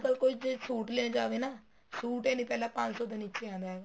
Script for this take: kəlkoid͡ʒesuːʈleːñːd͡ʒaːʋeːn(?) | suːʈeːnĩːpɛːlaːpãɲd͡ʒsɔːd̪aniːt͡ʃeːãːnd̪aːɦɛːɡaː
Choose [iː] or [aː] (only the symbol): aː